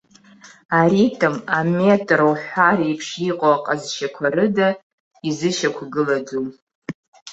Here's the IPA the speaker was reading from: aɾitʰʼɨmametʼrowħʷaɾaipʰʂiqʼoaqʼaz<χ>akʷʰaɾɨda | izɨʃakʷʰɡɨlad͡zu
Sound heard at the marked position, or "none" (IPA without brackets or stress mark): ʃ